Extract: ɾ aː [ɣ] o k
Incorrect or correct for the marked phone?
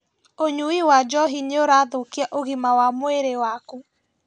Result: incorrect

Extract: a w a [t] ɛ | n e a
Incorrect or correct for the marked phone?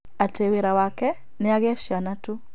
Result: incorrect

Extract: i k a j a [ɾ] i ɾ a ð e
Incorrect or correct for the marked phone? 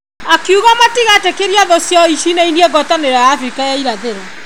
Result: incorrect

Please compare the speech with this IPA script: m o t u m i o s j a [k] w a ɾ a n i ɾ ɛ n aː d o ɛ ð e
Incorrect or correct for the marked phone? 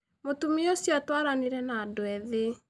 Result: incorrect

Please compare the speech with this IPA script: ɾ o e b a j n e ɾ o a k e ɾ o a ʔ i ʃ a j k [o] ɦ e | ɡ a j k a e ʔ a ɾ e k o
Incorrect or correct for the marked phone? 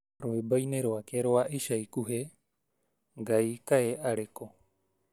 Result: incorrect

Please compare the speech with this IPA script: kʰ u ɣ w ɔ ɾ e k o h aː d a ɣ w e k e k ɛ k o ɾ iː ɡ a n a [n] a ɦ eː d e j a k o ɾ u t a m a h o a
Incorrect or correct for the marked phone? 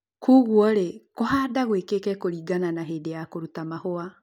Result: correct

